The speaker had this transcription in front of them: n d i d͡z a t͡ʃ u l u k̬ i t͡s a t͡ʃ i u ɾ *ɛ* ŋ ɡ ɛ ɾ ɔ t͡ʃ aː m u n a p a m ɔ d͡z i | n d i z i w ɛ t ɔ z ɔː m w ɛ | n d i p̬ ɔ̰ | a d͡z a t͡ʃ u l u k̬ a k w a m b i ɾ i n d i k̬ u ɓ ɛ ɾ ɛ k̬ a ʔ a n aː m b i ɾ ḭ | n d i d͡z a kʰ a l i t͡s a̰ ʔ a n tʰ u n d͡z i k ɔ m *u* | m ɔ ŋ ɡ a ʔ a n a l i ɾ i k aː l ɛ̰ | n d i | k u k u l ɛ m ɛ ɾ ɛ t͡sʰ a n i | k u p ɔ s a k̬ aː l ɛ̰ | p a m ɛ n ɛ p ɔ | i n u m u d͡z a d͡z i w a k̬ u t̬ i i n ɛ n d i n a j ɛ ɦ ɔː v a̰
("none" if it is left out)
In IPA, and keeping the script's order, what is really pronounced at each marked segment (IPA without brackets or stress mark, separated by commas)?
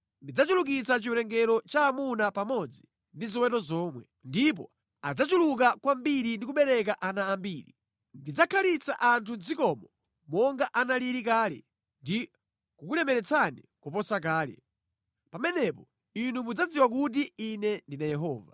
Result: ɛ, ɔ